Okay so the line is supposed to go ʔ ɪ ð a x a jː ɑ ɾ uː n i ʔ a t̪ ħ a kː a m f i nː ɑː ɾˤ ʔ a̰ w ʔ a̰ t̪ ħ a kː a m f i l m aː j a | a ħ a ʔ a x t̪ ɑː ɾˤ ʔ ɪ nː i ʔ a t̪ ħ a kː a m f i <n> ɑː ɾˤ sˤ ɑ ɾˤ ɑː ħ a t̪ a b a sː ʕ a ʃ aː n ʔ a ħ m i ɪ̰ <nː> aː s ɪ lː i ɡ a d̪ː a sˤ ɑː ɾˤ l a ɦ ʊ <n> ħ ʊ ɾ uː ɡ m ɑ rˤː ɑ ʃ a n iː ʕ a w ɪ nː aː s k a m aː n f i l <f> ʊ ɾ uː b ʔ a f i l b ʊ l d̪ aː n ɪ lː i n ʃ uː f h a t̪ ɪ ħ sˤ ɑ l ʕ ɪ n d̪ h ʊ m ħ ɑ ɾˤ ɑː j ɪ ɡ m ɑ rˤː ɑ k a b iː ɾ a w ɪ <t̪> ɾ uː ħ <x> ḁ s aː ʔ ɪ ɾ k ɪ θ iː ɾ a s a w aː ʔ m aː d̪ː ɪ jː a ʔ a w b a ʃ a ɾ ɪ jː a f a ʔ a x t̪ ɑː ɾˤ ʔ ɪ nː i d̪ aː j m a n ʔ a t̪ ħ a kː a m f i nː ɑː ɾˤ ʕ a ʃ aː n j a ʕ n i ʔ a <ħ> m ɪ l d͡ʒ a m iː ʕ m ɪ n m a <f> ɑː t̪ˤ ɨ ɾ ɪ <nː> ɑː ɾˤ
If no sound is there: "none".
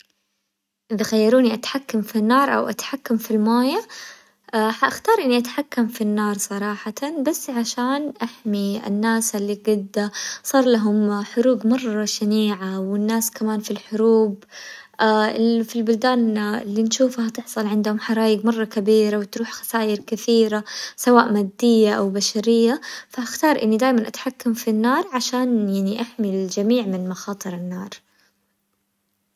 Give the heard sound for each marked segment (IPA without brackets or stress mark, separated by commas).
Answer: nː, nː, m, ħ, t̪, x, ħ, x, nː